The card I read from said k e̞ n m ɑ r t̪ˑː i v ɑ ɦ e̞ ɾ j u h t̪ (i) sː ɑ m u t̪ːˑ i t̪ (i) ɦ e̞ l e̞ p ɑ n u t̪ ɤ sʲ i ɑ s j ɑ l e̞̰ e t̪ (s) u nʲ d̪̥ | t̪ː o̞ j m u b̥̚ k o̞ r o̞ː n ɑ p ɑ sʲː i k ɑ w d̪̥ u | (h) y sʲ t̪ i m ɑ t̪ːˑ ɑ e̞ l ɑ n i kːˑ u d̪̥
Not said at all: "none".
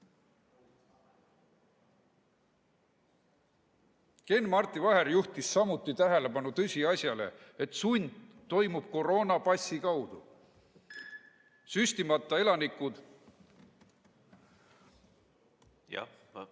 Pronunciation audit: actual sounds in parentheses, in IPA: i, æ, s, s

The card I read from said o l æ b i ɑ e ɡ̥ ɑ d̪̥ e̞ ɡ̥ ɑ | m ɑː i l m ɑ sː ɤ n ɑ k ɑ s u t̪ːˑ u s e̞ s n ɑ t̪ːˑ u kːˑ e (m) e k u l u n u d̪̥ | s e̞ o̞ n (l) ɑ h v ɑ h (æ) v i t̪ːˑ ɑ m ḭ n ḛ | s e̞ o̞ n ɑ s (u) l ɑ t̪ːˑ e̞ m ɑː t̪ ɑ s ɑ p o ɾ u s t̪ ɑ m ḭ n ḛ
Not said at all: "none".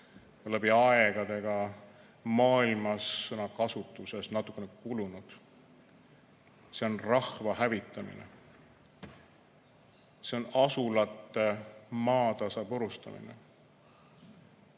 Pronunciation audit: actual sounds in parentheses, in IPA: n, r, æ, u

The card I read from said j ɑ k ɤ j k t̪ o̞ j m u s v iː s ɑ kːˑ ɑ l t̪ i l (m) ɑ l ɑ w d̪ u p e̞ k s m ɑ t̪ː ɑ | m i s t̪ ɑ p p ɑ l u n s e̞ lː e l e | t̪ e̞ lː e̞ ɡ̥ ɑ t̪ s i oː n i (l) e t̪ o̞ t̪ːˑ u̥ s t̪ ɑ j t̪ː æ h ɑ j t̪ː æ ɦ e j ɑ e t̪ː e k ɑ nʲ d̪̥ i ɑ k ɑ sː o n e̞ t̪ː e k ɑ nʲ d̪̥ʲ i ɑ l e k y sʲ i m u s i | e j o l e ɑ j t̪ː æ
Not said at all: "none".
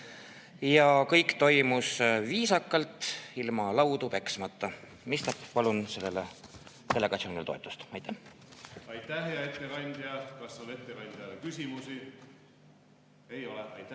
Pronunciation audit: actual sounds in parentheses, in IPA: m, l

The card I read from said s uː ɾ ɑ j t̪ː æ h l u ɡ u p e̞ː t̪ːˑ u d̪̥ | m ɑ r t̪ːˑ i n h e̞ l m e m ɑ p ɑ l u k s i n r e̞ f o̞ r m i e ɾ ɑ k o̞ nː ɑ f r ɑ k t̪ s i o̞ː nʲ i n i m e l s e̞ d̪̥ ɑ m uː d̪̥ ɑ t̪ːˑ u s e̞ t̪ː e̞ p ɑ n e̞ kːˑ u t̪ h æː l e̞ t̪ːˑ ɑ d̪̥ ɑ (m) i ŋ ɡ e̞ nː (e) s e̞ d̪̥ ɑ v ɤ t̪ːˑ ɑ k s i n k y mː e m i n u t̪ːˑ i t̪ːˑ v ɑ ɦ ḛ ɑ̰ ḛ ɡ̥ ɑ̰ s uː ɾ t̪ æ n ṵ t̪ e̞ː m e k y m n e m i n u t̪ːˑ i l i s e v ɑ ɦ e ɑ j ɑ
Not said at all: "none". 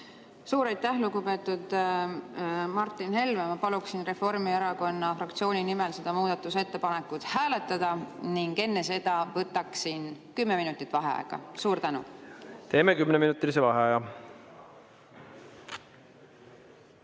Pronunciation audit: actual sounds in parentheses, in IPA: n, e

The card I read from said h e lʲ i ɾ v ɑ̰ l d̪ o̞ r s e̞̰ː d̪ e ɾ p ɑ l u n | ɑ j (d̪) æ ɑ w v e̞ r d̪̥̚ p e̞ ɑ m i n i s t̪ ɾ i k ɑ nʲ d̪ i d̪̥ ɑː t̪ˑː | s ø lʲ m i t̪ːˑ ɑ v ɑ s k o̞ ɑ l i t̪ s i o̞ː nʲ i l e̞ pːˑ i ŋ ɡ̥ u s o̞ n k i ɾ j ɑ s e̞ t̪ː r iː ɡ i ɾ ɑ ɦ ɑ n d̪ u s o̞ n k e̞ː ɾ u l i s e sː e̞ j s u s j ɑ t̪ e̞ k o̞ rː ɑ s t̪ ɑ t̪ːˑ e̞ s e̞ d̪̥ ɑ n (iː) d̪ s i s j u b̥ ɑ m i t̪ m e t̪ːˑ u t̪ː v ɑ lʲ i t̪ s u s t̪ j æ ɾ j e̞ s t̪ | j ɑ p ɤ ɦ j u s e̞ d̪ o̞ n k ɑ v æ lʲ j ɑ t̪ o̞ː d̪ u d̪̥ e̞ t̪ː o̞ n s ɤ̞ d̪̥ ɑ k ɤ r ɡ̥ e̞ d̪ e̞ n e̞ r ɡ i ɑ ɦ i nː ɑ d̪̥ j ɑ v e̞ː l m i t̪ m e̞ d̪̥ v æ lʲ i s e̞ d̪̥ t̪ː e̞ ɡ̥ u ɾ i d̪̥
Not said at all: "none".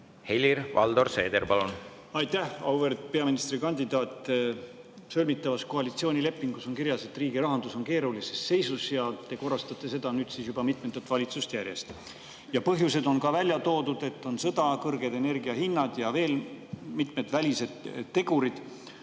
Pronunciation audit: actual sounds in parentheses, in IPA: t̪, yː

